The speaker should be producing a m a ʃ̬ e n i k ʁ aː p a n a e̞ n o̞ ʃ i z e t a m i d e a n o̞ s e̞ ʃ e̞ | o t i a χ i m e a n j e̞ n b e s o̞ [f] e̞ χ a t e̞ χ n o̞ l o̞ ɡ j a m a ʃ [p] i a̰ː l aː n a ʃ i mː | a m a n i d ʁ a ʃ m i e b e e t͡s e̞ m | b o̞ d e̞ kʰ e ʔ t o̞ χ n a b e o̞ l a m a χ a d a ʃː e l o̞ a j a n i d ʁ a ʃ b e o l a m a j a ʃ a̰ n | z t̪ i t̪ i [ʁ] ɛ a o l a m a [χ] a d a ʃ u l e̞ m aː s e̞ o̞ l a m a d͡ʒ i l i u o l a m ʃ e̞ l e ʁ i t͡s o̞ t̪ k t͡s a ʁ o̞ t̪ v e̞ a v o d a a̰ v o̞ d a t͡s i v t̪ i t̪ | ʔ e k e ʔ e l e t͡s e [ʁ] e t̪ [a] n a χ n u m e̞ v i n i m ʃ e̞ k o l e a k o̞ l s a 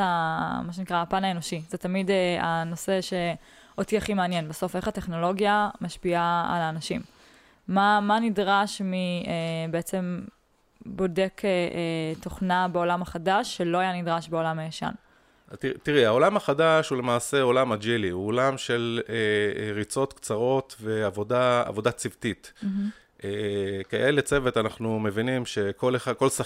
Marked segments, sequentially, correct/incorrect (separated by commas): correct, correct, correct, correct, incorrect, correct